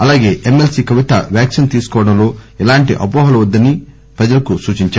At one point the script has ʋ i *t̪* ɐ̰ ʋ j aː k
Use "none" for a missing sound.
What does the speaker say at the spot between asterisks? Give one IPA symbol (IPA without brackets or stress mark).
t̪